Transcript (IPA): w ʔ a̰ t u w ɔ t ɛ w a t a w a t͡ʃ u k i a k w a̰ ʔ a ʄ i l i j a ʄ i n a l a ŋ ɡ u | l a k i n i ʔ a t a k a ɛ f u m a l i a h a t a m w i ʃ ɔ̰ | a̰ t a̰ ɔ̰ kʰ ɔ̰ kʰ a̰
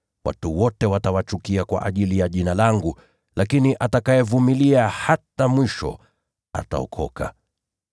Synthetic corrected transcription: w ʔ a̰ t u w ɔ t ɛ w a t a w a t͡ʃ u k i a k w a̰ ʔ a ʄ i l i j a ʄ i n a l a ŋ ɡ u | l a k i n i ʔ a t a k a ɛ v u m i l i a h a t a m w i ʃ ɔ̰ | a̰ t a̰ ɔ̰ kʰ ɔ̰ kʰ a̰